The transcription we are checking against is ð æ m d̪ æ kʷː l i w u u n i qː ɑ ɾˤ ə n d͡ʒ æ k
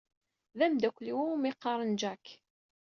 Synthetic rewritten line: ð æ m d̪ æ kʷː l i w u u m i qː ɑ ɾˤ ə n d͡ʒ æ k